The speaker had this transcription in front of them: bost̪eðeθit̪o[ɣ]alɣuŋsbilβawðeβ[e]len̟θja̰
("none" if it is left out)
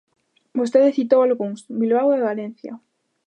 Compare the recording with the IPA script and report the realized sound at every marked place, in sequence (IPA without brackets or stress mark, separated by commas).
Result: w, a